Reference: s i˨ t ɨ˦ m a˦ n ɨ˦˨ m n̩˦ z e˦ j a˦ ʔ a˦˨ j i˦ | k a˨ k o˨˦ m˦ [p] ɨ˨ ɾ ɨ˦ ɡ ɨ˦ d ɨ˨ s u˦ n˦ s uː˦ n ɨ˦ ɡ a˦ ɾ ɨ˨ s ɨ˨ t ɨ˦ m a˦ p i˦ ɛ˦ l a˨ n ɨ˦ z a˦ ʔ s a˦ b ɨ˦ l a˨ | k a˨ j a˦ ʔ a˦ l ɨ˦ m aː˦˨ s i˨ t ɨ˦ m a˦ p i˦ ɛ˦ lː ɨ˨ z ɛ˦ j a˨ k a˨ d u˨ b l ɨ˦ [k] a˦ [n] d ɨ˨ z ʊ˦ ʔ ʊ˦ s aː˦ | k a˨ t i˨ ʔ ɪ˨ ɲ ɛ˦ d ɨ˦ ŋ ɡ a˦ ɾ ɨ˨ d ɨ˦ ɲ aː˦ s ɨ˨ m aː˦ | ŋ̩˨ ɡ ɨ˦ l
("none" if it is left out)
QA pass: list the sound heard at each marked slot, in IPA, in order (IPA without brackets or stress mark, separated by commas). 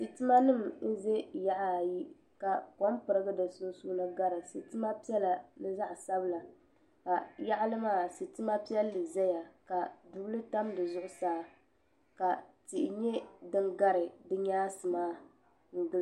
p, t, m